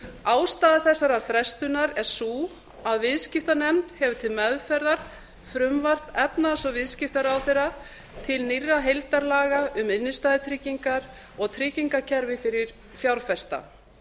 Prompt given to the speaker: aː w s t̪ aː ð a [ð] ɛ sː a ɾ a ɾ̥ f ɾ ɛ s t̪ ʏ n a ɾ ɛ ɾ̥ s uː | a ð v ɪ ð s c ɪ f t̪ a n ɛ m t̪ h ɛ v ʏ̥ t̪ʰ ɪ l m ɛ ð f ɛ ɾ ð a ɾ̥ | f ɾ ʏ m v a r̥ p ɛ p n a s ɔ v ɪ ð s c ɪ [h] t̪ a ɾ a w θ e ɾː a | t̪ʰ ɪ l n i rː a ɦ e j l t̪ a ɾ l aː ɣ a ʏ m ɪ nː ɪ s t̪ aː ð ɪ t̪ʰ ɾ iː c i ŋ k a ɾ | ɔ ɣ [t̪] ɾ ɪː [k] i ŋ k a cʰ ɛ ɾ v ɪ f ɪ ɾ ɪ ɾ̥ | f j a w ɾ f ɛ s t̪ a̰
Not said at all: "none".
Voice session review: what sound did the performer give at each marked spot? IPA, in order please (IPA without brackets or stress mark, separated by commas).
θ, f, t̪ʰ, c